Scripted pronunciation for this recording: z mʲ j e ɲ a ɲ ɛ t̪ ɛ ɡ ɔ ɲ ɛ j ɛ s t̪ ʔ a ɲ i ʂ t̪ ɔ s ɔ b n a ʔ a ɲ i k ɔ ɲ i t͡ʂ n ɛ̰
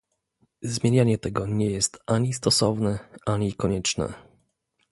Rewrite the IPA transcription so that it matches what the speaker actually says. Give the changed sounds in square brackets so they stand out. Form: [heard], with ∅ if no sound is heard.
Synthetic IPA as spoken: z mʲ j e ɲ a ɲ ɛ t̪ ɛ ɡ ɔ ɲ ɛ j ɛ s t̪ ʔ a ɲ i [s] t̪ ɔ s ɔ [v] n [ɛ] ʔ a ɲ i k ɔ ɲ [ɛ] t͡ʂ n ɛ̰